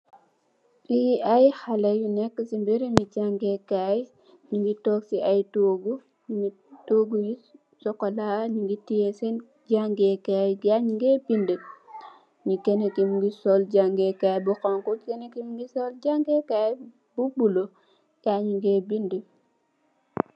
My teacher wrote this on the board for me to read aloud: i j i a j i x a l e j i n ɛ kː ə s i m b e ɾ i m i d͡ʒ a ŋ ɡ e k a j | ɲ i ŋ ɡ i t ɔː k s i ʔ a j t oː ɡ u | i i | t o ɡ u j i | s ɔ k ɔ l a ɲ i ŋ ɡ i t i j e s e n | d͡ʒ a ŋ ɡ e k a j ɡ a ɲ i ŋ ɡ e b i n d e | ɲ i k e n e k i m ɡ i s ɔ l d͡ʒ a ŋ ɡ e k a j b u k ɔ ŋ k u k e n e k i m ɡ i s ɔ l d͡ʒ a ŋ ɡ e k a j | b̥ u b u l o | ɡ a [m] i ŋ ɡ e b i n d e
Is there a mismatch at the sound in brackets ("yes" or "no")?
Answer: yes